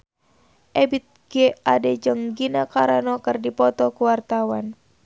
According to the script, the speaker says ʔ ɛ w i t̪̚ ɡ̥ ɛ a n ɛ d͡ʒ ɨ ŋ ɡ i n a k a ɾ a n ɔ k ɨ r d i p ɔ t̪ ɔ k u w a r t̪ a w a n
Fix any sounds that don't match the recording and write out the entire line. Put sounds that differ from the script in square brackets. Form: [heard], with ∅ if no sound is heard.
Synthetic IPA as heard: ʔ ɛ [b] i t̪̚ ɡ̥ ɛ a [d] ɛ d͡ʒ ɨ ŋ ɡ i n a k a ɾ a n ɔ k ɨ r d i p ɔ t̪ ɔ k u w a r t̪ a w a n